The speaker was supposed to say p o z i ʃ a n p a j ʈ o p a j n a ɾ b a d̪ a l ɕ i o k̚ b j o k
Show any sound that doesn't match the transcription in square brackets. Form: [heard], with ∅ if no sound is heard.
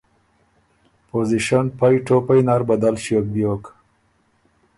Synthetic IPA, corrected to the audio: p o z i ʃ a n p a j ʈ o p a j n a ɾ b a d̪ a l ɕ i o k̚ b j o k